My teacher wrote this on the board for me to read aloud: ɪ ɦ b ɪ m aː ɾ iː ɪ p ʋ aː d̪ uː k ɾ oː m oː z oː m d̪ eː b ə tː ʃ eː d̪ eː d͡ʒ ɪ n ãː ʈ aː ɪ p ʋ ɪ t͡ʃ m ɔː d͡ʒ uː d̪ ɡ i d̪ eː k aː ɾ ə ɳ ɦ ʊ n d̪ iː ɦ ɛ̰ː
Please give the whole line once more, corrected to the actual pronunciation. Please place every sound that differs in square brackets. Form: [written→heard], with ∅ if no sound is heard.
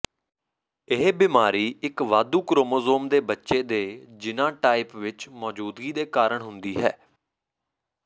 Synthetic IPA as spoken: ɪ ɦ b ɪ m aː ɾ iː ɪ [p→k] ʋ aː d̪ uː k ɾ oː m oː z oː m d̪ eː b ə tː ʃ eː d̪ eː d͡ʒ ɪ n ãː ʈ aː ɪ p ʋ ɪ t͡ʃ m ɔː d͡ʒ uː d̪ ɡ [i→iː] d̪ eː k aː ɾ ə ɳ ɦ ʊ n d̪ iː ɦ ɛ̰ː